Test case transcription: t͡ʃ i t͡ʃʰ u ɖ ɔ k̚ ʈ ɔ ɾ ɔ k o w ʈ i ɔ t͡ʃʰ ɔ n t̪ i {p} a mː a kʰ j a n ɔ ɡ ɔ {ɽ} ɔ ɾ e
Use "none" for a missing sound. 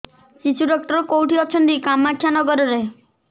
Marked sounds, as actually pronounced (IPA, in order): k, ɾ

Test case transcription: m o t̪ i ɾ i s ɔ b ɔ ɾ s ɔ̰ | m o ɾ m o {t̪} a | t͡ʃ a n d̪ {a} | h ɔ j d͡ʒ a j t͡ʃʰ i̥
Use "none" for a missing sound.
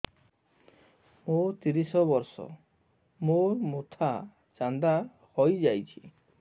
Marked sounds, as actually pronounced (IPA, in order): t̪ʰ, a

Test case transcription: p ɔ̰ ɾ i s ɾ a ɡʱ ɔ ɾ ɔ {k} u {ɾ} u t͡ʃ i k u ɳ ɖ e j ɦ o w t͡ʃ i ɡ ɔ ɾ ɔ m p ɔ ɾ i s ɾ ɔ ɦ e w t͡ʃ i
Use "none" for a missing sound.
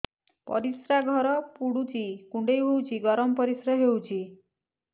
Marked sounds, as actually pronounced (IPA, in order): p, ɽ

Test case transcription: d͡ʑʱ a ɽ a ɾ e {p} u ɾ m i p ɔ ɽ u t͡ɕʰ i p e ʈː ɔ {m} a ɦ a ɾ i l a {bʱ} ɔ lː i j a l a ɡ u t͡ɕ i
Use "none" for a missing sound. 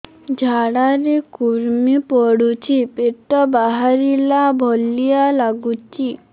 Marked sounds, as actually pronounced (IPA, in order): k, b, bʱ

